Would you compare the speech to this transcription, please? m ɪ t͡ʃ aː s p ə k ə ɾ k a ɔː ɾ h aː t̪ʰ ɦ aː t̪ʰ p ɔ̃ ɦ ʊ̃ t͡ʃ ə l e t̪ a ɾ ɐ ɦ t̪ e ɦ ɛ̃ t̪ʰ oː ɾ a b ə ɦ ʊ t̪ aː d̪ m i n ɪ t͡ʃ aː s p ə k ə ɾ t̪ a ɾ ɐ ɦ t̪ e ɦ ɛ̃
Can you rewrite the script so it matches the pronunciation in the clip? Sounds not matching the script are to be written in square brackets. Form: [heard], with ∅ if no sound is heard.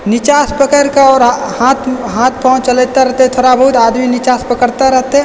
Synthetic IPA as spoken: [n] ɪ t͡ʃ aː s p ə k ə ɾ k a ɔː ɾ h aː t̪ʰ ɦ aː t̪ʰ p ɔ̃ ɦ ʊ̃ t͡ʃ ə l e t̪ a ɾ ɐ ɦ t̪ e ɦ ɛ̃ t̪ʰ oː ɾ a b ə ɦ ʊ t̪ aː d̪ m i n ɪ t͡ʃ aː s p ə k ə ɾ t̪ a ɾ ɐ ɦ t̪ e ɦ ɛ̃